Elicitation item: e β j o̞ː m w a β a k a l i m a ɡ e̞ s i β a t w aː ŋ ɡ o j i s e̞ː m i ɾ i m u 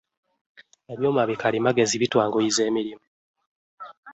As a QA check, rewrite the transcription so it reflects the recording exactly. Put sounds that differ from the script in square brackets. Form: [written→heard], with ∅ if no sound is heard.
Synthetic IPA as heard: e β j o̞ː m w a β [a→i] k a l i m a ɡ e̞ [s→z] i β [a→i] t w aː ŋ ɡ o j i [s→z] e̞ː m i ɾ i m u